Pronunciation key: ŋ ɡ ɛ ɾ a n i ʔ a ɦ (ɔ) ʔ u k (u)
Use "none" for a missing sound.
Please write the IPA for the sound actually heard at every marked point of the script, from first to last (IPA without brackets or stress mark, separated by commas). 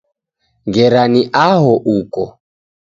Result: ɔ, ɔ